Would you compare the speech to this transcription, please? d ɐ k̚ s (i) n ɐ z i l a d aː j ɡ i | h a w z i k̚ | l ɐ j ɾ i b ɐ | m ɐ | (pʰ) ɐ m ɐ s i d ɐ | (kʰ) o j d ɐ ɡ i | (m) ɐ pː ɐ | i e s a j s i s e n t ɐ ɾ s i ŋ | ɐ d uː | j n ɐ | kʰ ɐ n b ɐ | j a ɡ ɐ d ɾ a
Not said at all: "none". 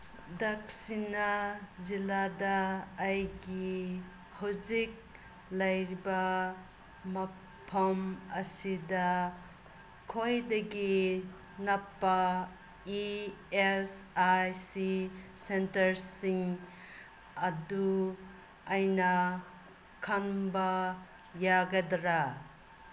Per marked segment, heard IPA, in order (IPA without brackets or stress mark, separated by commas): i, pʰ, kʰ, n